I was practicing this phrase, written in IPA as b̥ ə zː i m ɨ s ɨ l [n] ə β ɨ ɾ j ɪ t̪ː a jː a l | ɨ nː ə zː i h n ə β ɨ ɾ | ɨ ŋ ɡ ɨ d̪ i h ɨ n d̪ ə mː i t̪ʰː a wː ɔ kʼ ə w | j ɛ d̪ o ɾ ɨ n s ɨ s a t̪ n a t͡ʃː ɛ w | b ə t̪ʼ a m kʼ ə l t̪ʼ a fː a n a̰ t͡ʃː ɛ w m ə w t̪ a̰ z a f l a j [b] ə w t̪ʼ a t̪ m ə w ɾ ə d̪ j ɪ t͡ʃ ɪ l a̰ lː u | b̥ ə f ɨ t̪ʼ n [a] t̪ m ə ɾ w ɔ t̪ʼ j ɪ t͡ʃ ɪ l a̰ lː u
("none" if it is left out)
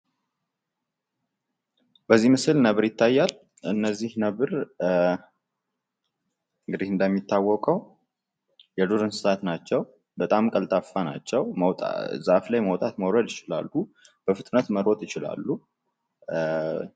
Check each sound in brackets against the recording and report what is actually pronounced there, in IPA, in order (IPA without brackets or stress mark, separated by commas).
n, m, ə